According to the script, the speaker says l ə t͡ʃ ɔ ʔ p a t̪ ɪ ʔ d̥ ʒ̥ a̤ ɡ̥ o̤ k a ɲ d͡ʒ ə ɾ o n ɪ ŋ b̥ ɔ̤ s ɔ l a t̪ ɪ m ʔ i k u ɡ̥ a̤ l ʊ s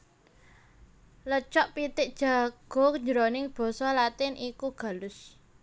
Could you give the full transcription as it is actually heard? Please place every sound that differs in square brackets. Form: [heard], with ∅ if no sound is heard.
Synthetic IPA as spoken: l ə t͡ʃ ɔ ʔ p [i] t̪ ɪ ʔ d̥ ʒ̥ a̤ ɡ̥ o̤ k [ə] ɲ d͡ʒ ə ɾ o n ɪ ŋ b̥ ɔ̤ s ɔ l a t̪ ɪ [n] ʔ i k u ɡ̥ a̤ l ʊ s